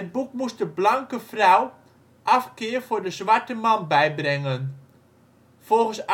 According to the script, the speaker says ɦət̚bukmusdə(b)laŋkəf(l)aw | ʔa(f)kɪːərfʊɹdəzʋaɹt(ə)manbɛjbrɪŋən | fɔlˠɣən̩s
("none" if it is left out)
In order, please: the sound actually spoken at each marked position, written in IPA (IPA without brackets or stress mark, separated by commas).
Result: b, r, f, ə